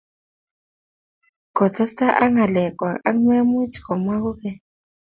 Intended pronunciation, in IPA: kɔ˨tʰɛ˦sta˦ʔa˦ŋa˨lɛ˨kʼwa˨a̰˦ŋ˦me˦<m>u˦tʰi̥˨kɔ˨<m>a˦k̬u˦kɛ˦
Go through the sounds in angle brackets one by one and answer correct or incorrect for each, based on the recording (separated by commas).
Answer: correct, correct